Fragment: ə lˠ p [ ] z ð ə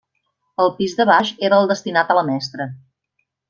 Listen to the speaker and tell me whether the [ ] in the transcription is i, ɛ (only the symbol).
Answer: i